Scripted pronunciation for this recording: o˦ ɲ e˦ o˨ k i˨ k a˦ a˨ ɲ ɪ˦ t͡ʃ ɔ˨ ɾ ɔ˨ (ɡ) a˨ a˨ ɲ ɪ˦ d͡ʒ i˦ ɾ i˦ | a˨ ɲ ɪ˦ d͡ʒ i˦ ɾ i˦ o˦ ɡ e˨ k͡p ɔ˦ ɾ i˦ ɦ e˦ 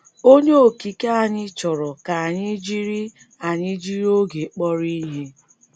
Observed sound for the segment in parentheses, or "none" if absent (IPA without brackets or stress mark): k